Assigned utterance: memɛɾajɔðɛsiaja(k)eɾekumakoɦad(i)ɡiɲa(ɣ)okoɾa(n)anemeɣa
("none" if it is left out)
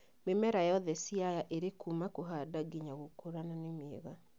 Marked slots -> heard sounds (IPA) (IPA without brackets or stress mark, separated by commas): ʔ, a, ɣ, n